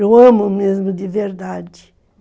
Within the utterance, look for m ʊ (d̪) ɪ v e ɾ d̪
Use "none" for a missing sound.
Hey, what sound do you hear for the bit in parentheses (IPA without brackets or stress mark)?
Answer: d̪